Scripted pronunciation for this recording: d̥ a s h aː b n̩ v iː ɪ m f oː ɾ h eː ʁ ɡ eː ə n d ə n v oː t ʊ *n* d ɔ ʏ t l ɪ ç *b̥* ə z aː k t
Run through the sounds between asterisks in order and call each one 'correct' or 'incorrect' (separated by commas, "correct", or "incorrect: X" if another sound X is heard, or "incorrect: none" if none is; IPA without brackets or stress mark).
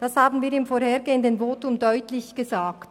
incorrect: m, incorrect: ɡ̥